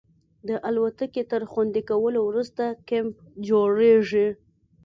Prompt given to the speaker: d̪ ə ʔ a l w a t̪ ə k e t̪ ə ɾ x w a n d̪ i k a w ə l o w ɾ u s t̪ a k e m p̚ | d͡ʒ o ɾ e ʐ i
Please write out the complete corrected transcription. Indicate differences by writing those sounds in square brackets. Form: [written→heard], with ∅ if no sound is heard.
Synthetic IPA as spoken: d̪ ə ʔ a l w a t̪ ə k e t̪ ə ɾ x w a n d̪ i k a w ə l o w ɾ u s t̪ a k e m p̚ | d͡ʒ o [ɾ→ɽ] e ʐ i